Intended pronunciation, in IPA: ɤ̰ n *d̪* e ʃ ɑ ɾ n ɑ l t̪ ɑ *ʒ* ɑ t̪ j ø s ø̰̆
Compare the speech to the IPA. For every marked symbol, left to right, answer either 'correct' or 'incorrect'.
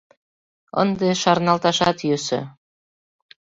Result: correct, incorrect

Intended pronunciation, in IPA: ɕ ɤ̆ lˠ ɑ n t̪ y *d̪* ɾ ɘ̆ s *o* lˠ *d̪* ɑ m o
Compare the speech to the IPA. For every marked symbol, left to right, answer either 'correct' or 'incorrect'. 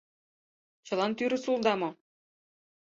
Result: incorrect, incorrect, correct

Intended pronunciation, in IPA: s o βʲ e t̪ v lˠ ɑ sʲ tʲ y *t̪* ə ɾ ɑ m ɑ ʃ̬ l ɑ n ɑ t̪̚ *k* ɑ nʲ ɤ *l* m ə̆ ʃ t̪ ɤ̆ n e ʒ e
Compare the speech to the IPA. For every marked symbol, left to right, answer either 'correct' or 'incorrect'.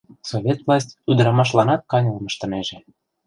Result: incorrect, correct, correct

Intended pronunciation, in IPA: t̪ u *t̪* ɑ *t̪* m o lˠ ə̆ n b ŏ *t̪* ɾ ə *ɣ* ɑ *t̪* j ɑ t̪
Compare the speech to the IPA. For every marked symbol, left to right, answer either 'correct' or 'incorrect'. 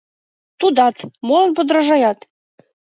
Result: incorrect, correct, incorrect, incorrect, incorrect

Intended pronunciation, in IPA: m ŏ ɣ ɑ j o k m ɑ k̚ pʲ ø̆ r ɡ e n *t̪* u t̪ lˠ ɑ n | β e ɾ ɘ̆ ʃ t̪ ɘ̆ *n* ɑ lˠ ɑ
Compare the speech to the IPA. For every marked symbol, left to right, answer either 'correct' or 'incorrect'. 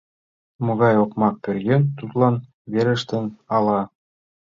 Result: correct, correct

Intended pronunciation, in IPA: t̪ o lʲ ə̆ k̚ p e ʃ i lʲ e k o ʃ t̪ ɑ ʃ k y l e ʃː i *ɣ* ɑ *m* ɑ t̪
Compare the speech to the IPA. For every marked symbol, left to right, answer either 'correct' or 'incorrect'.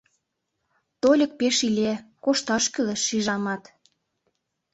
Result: incorrect, correct

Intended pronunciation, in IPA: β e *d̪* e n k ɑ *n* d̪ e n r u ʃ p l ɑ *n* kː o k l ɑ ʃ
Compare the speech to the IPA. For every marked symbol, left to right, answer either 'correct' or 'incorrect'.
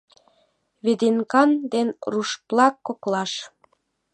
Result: correct, correct, incorrect

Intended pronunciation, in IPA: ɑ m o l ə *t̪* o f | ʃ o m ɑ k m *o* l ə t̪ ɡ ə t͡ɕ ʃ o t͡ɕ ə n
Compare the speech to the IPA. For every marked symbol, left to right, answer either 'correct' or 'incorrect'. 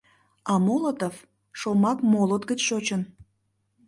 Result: correct, correct

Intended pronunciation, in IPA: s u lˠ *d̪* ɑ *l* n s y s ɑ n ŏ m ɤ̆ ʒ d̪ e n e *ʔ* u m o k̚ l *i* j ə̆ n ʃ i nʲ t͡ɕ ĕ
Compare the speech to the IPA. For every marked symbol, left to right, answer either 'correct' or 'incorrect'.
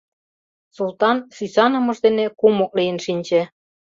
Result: incorrect, incorrect, incorrect, correct

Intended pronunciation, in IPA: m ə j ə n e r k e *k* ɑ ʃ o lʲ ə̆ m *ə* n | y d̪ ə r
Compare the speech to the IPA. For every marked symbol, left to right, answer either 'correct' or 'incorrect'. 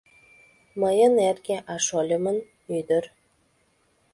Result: incorrect, correct

